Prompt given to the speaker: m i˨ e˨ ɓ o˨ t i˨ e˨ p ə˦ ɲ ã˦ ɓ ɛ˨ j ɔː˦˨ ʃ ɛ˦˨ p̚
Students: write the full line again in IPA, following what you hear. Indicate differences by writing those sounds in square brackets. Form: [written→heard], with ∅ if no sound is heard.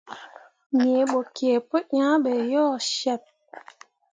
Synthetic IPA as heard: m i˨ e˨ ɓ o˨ [t→k] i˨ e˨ p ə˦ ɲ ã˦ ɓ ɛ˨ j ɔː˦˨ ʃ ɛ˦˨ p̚

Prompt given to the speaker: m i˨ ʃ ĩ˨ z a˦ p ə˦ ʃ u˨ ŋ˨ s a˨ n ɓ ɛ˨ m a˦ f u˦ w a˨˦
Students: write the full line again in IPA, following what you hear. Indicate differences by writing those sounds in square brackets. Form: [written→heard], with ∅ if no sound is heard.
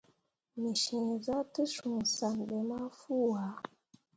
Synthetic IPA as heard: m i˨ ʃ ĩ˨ z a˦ [p→t] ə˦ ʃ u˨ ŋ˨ s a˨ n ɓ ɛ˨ m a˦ f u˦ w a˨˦

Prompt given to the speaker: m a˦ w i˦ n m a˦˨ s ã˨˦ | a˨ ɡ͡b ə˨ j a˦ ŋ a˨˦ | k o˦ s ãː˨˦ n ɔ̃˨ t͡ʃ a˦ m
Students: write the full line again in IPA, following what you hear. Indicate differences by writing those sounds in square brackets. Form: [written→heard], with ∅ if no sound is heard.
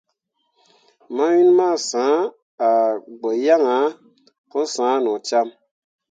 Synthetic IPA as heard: m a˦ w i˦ n m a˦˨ s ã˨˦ | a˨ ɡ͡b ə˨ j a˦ ŋ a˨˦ | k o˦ s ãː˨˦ n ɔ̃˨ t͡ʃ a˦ m

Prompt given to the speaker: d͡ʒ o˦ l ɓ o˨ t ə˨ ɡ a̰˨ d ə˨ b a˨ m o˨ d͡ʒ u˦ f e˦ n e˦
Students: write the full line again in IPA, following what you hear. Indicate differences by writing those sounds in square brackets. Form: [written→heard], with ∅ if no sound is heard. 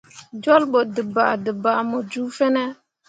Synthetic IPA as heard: d͡ʒ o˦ l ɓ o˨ [t→d] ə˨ [ɡ→b] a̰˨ d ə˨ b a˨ m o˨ d͡ʒ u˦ f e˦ n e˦

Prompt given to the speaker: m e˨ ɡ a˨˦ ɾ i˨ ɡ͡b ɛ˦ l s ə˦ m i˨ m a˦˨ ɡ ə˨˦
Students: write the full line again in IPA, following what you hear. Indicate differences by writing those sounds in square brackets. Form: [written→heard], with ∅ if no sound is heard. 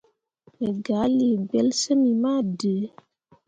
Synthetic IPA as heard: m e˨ ɡ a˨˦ [ɾ→l] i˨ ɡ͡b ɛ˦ l s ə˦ m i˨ m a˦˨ [ɡ→d] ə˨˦

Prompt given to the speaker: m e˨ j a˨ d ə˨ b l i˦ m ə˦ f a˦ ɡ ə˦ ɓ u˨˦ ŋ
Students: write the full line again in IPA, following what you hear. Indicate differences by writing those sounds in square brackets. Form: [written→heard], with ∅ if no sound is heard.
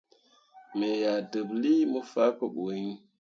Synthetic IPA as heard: m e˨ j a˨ d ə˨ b l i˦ m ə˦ f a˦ [ɡ→k] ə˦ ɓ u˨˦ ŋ

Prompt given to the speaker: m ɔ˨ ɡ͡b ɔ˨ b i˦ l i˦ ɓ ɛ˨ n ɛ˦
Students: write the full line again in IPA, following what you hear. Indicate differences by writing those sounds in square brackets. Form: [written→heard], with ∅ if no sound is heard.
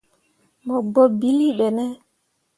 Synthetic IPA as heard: m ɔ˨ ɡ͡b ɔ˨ b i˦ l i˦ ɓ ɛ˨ n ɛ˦

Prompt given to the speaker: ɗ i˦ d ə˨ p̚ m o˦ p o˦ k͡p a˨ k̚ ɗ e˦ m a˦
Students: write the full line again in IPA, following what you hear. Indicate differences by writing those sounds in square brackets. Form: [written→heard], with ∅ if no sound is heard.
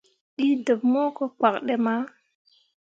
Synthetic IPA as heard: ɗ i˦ d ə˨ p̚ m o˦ [p→k] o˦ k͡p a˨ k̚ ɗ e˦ m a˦

